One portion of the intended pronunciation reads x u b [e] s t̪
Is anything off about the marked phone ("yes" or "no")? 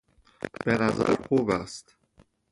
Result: yes